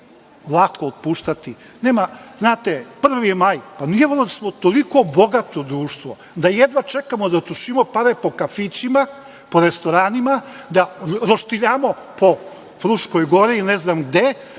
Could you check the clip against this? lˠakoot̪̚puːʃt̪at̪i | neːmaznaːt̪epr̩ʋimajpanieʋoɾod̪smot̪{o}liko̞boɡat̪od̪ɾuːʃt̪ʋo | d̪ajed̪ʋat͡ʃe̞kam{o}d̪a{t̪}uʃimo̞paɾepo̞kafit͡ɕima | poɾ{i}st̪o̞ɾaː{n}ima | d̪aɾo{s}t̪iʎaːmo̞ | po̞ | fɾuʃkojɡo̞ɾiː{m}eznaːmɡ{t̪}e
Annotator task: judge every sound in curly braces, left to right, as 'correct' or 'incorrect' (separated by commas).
correct, correct, correct, incorrect, correct, incorrect, incorrect, incorrect